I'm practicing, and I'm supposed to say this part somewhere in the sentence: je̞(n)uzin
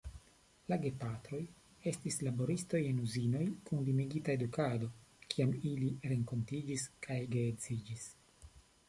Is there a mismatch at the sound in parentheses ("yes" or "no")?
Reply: no